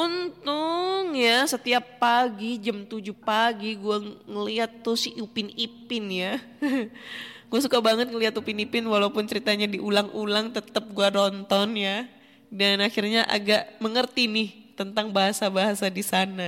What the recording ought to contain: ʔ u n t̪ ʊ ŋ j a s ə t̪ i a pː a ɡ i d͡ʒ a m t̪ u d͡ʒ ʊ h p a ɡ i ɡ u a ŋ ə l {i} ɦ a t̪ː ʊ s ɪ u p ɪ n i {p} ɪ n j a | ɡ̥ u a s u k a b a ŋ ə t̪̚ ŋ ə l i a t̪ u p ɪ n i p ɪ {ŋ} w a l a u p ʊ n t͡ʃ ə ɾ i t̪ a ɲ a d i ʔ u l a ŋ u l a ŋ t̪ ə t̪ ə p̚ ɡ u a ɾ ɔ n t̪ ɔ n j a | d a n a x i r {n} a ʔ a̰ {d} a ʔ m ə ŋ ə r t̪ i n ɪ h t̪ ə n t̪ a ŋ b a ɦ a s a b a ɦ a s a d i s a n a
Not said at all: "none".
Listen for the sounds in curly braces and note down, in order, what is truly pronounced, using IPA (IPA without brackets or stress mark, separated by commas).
i, p, n, ɲ, ɡ